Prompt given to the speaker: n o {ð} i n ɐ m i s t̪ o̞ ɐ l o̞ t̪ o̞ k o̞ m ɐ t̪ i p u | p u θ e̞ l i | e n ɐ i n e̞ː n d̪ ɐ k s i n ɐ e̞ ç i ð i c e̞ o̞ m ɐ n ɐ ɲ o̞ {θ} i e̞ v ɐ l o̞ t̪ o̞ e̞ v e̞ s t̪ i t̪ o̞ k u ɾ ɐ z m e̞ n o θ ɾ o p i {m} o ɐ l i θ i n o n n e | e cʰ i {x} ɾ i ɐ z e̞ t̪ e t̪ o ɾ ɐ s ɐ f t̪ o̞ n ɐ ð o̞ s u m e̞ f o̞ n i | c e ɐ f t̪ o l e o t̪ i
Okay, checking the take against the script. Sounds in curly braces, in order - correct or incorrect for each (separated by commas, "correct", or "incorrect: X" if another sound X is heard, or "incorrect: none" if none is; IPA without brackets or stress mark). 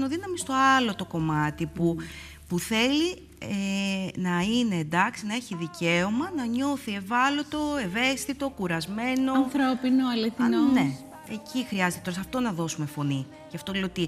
correct, correct, incorrect: n, correct